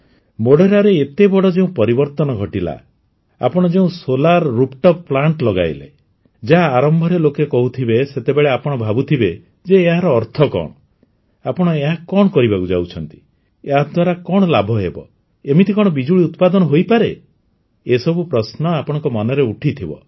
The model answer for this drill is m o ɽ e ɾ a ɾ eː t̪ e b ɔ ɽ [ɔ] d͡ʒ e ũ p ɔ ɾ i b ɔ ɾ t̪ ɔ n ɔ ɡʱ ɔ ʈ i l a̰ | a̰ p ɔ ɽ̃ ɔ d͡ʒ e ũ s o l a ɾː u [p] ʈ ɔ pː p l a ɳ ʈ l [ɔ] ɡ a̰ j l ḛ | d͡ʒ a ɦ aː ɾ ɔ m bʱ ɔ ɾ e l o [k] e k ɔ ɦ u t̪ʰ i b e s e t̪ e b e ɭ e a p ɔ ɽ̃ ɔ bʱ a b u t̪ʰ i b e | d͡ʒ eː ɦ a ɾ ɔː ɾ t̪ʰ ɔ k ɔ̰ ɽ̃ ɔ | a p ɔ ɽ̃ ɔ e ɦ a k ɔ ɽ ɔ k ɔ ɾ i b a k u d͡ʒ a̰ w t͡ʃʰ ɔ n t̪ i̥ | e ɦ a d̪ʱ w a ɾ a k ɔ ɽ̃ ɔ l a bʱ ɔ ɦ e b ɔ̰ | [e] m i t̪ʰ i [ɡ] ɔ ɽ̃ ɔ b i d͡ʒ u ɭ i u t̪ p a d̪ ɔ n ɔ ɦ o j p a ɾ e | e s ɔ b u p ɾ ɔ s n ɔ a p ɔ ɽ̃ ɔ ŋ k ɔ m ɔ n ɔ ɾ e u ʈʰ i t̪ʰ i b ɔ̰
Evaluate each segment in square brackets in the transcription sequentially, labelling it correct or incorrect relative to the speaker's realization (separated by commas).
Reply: correct, correct, correct, correct, correct, incorrect